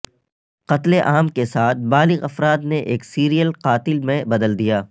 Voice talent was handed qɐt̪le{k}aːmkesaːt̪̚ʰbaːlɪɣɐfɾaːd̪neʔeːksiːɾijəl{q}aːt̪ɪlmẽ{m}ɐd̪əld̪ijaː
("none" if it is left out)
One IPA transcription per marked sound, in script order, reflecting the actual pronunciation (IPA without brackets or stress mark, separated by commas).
ʔ, q, b